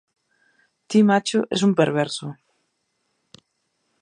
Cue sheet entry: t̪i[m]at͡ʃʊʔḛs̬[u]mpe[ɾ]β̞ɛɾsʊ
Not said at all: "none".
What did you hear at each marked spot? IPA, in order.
m, u, ɾ

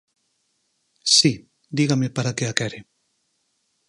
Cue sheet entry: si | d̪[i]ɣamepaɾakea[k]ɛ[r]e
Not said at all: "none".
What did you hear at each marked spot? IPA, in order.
i, k, ɾ

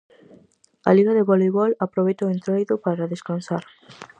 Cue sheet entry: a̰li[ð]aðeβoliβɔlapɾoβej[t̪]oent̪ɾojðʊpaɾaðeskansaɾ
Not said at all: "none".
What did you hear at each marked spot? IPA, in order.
ɣ, t̪

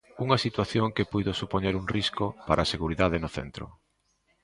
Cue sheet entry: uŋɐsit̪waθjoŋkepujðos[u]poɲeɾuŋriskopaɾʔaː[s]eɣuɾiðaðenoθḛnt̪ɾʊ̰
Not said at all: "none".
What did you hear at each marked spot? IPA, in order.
u, s

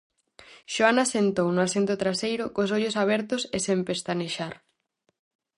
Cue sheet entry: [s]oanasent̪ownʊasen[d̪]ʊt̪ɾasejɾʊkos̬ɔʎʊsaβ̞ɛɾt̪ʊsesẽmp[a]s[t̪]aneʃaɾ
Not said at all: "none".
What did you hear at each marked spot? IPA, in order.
ʃ, t̪, e, t̪

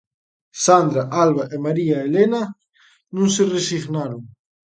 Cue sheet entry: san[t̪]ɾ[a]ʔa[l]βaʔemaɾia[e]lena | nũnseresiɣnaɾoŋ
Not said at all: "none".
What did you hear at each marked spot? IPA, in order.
d̪, a, l, e

